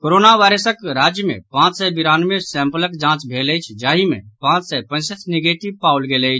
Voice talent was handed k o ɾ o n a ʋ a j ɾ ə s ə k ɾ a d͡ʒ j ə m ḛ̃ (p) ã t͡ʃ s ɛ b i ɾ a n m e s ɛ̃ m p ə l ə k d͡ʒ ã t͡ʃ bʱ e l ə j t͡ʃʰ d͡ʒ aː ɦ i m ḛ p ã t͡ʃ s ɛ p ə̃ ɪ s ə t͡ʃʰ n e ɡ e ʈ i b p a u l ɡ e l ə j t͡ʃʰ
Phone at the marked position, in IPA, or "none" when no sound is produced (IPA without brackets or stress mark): p